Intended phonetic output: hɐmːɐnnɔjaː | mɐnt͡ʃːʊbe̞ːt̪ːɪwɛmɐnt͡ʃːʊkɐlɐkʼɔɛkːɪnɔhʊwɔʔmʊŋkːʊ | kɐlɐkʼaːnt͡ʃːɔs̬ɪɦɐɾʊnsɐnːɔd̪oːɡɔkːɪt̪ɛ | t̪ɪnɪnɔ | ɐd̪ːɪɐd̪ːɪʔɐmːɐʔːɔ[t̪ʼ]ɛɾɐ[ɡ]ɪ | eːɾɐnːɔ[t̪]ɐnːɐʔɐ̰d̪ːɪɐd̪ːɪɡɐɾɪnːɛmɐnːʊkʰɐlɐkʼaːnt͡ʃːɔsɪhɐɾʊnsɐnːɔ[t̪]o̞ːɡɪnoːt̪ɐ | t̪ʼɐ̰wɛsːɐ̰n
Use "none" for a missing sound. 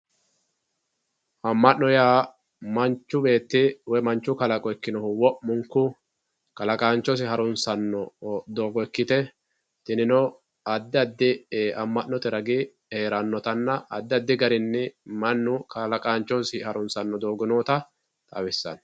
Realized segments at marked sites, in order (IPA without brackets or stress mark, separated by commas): t̪, ɡ, t̪, d̪